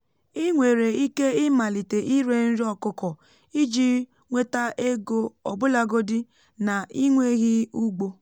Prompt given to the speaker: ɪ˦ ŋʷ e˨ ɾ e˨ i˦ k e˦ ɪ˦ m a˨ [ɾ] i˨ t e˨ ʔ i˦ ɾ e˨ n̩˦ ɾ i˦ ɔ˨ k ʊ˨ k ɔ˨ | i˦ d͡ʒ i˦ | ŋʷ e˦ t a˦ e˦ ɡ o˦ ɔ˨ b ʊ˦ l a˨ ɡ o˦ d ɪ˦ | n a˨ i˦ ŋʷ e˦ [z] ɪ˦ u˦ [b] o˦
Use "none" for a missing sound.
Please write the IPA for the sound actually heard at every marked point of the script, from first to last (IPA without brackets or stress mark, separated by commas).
l, ɣ, ɡ͡b